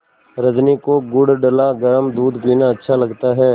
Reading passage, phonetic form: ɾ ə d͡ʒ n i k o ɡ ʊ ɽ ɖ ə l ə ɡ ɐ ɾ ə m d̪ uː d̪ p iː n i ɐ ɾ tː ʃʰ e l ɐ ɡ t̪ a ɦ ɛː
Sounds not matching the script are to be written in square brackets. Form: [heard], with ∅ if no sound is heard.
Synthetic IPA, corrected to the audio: ɾ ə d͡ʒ n i k o ɡ ʊ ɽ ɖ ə l [a] ɡ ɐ ɾ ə m d̪ uː d̪ p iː n [a] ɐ [∅] tː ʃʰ [a] l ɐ ɡ t̪ a ɦ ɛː